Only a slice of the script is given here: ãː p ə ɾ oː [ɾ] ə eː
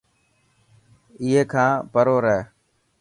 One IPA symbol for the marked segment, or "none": ɾ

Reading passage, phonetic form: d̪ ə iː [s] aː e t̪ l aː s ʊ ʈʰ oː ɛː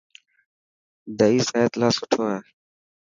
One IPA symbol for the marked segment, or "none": s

